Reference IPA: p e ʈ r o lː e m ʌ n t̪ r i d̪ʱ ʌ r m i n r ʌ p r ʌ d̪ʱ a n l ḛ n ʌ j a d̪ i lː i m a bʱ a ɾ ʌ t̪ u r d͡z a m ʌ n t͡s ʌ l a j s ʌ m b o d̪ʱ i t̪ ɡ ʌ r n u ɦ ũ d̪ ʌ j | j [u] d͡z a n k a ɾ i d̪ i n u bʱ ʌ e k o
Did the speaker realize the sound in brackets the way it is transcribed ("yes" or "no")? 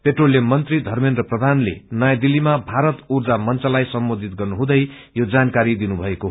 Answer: no